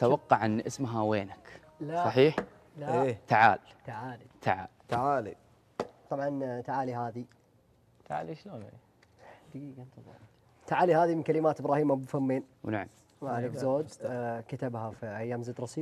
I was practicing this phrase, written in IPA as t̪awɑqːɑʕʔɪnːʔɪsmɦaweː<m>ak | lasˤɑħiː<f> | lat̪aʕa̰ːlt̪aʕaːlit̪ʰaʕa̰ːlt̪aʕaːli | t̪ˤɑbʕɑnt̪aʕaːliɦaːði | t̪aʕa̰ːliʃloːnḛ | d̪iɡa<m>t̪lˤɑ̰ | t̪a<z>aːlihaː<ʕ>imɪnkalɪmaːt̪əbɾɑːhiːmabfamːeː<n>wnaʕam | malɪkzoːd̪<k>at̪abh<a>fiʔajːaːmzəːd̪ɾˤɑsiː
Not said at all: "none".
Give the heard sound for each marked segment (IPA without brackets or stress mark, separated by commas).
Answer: n, ħ, n, ʕ, ð, n, k, a